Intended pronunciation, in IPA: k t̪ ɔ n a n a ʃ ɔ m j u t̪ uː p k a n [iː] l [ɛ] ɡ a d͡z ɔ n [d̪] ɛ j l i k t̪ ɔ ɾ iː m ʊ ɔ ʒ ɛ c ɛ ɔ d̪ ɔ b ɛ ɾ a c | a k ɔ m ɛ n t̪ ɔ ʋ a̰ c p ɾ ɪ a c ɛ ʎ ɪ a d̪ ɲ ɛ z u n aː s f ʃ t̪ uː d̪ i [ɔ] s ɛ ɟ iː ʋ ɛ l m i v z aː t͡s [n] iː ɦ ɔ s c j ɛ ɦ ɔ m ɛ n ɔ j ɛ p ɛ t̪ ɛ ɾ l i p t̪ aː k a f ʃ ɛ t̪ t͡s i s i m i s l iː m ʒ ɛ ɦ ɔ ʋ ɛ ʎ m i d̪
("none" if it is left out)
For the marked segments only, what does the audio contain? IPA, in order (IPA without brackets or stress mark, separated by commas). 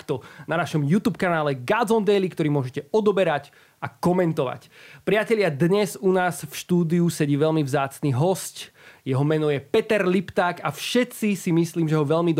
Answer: aː, ɛ, d̪, u, n